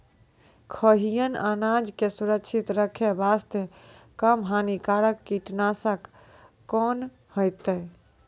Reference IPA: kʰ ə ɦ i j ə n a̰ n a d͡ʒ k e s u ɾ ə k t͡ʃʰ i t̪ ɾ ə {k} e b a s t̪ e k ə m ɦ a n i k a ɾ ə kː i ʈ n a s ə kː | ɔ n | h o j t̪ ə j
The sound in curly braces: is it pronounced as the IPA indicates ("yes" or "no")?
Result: no